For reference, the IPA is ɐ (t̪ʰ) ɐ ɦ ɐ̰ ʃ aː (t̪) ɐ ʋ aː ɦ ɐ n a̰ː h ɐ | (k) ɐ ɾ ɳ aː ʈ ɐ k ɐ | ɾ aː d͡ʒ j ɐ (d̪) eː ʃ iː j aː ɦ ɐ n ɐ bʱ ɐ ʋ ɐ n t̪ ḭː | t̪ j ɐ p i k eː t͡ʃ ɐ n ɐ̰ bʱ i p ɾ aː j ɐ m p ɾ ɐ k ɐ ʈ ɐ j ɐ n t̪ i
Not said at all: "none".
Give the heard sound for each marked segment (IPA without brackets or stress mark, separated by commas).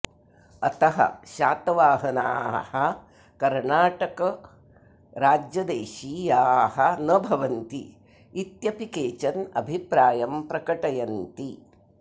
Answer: t̪, t̪, k, d̪